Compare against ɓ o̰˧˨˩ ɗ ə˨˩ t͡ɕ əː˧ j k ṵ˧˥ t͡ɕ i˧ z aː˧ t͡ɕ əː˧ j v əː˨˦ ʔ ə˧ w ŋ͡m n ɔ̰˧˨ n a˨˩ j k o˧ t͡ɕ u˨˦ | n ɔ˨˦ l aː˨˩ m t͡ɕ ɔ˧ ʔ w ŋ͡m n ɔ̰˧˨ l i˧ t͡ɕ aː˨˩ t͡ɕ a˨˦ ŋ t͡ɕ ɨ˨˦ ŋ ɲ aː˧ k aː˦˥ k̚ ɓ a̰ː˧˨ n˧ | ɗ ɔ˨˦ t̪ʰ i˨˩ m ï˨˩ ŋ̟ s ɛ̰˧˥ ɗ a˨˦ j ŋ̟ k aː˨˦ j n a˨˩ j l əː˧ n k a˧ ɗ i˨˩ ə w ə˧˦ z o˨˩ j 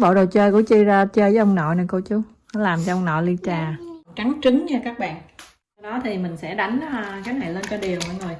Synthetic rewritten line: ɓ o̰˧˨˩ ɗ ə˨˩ t͡ɕ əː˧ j k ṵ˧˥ t͡ɕ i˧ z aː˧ t͡ɕ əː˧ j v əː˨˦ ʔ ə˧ w ŋ͡m n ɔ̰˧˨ n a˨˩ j k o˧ t͡ɕ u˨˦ | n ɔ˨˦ l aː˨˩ m t͡ɕ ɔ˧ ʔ w ŋ͡m n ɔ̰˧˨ l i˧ t͡ɕ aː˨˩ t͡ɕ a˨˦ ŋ t͡ɕ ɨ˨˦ ŋ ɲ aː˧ k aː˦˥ k̚ ɓ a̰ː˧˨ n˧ | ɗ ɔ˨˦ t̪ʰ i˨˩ m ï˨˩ ŋ̟ s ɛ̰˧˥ ɗ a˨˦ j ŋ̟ k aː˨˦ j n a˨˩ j l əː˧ n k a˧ ɗ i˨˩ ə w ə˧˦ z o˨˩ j